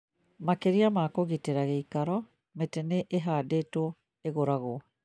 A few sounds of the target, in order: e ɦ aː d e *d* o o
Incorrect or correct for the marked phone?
incorrect: t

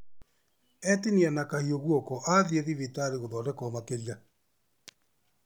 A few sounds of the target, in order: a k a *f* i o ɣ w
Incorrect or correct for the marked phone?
incorrect: h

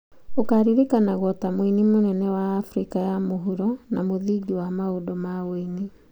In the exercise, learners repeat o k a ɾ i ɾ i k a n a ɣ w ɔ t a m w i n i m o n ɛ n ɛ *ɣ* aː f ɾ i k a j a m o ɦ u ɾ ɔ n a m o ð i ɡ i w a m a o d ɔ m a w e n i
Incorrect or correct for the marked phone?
incorrect: w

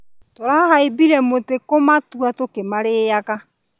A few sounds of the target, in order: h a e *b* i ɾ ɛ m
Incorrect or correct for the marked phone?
correct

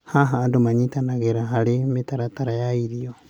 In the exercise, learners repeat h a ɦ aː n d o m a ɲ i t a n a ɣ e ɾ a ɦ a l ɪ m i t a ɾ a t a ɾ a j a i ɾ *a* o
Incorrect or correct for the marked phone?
incorrect: i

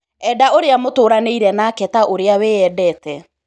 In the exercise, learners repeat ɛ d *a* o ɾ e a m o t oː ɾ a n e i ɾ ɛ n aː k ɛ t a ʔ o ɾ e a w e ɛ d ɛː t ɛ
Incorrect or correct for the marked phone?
correct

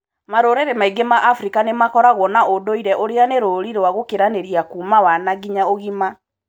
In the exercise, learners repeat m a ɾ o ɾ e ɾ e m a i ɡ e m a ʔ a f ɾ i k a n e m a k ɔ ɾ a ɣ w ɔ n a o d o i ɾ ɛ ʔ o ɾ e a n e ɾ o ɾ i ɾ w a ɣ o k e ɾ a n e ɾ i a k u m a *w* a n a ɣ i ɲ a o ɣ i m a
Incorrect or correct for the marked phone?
correct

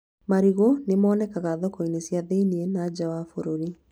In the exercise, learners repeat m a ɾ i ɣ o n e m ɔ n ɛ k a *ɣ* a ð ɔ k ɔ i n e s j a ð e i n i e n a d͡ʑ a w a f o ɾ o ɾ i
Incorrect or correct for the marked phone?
correct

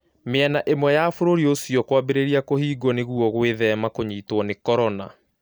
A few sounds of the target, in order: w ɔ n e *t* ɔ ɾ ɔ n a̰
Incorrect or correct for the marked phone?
incorrect: k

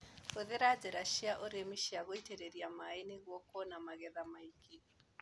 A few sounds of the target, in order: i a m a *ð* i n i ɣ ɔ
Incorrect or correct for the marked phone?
incorrect: none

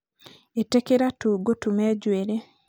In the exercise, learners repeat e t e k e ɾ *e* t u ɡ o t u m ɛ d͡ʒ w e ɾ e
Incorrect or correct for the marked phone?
incorrect: a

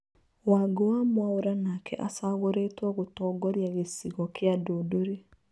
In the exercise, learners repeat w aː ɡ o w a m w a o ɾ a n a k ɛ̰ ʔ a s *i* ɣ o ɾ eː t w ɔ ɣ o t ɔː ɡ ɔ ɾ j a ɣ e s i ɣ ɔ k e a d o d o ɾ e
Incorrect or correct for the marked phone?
incorrect: a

